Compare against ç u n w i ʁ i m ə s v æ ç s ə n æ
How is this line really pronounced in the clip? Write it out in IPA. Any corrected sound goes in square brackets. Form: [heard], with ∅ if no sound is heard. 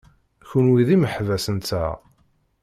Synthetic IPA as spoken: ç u n w i [ð] i m ə [ħ] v æ [∅] s ə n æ